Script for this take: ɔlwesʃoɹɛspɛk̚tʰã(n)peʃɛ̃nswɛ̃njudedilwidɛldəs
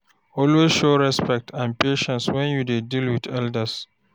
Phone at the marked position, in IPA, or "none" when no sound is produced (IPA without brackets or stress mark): n